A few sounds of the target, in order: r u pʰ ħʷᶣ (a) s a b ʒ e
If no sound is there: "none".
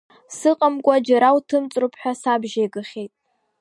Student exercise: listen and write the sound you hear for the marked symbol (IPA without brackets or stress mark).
a